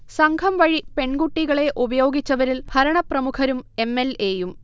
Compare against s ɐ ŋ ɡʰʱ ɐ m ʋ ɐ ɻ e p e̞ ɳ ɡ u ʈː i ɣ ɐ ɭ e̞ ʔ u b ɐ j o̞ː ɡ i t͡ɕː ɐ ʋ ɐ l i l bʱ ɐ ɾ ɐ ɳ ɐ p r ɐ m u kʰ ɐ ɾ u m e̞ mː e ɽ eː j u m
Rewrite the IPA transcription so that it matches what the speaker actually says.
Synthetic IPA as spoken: s ɐ ŋ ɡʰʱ ɐ m ʋ ɐ ɻ i p e̞ ɳ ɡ u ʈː i ɣ ɐ ɭ e̞ ʔ u b ɐ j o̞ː ɡ i t͡ɕː ɐ ʋ ɐ ɾ i l bʱ ɐ ɾ ɐ ɳ ɐ p r ɐ m u kʰ ɐ ɾ u m e̞ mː e l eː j u m